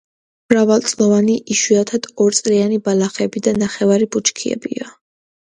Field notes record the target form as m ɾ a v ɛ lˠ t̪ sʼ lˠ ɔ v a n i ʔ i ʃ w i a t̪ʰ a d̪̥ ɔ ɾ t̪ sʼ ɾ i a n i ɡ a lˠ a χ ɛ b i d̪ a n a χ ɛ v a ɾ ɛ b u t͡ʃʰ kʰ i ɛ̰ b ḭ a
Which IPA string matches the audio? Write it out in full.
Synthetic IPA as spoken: m ɾ a v a lˠ t̪ sʼ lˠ ɔ v a n i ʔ i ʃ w i a t̪ʰ a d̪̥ ɔ ɾ t̪ sʼ ɾ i a n i b a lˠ a χ ɛ b i d̪ a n a χ ɛ v a ɾ i b u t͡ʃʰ kʰ i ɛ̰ b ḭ a